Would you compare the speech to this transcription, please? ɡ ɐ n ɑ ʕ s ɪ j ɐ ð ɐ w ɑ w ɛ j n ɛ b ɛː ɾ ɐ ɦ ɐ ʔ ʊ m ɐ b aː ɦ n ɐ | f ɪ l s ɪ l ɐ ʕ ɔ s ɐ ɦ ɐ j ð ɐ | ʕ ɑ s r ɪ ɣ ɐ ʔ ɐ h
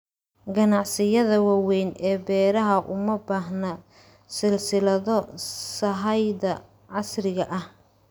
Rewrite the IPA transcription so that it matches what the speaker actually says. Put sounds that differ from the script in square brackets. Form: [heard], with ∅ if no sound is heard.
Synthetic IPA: ɡ ɐ n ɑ ʕ s ɪ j ɐ ð ɐ w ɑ w ɛ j n [ɛː] b ɛː ɾ ɐ ɦ ɐ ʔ ʊ m ɐ b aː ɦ n ɐ | [s] ɪ l s ɪ l ɐ [ð] ɔ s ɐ ɦ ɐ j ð ɐ | ʕ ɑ s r ɪ ɣ ɐ ʔ ɐ h